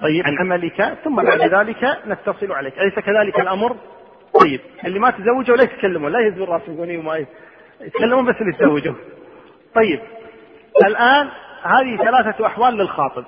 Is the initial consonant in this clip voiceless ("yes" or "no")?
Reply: yes